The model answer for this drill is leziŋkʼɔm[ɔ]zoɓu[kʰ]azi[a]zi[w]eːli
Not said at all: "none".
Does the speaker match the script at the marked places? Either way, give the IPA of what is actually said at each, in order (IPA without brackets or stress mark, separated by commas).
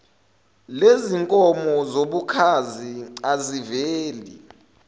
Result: ɔ, kʰ, a, v